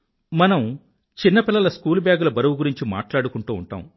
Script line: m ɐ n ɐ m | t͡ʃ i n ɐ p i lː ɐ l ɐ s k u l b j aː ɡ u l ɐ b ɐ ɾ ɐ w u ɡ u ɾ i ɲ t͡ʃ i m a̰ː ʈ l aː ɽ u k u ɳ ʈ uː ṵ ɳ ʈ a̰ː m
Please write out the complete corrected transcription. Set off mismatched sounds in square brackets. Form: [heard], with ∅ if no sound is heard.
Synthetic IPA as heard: m ɐ n ɐ m | t͡ʃ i [nː] ɐ p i lː ɐ l ɐ s k [uː] l b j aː ɡ u l ɐ b ɐ ɾ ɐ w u ɡ u ɾ i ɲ t͡ʃ i m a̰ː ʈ l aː ɽ u k u ɳ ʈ uː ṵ ɳ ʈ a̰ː m